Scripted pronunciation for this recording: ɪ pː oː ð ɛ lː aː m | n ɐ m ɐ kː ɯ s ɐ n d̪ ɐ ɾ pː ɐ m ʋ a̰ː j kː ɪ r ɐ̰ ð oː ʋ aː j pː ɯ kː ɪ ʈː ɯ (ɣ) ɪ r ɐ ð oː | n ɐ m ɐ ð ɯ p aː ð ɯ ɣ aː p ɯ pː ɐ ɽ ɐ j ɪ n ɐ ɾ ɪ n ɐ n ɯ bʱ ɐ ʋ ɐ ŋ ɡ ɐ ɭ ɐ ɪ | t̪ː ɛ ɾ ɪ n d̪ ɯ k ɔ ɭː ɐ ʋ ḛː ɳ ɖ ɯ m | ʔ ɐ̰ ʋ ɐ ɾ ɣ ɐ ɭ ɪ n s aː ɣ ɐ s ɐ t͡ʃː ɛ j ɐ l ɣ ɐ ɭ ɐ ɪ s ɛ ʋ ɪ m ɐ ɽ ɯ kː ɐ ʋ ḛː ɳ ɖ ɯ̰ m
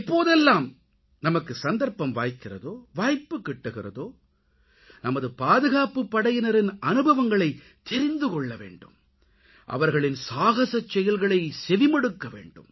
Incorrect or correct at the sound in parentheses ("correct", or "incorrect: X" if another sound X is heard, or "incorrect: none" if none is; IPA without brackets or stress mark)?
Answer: correct